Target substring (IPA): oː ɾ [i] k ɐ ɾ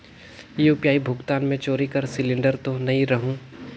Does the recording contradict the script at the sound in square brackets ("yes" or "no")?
no